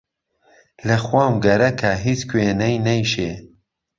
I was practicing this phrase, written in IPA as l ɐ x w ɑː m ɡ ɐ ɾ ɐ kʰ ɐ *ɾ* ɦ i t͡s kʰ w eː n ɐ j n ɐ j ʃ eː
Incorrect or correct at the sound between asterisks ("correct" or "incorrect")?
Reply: incorrect